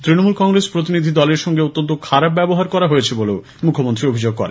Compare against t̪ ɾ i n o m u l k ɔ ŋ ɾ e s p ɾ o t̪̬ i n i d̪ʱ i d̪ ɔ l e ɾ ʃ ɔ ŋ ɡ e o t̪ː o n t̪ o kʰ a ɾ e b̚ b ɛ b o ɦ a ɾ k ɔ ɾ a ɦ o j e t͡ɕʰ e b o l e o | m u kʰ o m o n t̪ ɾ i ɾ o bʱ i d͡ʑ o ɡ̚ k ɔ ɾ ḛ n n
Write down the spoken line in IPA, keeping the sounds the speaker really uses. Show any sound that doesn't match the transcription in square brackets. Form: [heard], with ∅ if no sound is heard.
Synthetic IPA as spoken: t̪ ɾ i n o m u l k ɔ ŋ ɾ e s p ɾ o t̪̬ i n i d̪ʱ i d̪ ɔ l e ɾ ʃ ɔ ŋ ɡ e o t̪ː o n t̪ o kʰ a ɾ [a] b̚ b ɛ b o ɦ a ɾ k ɔ ɾ a ɦ o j e t͡ɕʰ e b o l e o | m u kʰ o m o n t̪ ɾ i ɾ o bʱ i d͡ʑ o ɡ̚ k ɔ ɾ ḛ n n